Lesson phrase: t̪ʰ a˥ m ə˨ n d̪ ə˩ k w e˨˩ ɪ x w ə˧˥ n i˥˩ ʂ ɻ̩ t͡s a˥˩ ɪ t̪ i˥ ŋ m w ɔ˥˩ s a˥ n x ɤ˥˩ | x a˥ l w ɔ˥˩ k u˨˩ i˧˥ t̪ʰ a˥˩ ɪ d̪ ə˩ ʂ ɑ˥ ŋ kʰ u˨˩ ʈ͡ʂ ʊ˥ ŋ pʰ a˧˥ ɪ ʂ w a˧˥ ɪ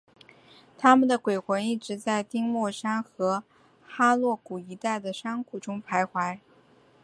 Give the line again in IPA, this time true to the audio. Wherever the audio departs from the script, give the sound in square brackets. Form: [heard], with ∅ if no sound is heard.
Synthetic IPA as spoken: t̪ʰ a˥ m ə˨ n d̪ ə˩ k w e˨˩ ɪ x w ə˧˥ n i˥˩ [ʈ͡ʂ] ɻ̩ t͡s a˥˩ ɪ t̪ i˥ ŋ m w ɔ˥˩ [ʂ] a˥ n x [ɤ˧˥] | x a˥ l w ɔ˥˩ k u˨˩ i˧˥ [t̪] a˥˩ ɪ d̪ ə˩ ʂ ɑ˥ ŋ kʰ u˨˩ ʈ͡ʂ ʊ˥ ŋ pʰ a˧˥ ɪ [x] w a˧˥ ɪ